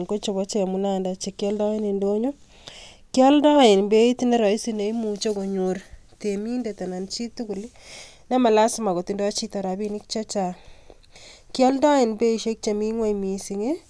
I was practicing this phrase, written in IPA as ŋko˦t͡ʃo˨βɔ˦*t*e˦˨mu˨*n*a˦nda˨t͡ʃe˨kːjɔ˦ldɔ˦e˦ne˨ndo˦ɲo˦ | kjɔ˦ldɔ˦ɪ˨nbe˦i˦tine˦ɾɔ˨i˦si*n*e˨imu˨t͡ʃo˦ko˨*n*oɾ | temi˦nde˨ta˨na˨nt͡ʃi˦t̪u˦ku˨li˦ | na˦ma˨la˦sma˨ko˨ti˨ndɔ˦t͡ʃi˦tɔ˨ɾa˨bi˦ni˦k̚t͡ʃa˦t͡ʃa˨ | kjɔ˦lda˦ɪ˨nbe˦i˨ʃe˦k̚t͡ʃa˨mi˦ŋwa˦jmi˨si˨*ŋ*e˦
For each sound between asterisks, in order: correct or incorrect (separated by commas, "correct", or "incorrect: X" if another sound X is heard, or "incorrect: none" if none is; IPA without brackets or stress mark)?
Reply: incorrect: t͡ʃ, correct, correct, incorrect: ɲ, correct